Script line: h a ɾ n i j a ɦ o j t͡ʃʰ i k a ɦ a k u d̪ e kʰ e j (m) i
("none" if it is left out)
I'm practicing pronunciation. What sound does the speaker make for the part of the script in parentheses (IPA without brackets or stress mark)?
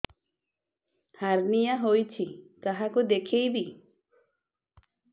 b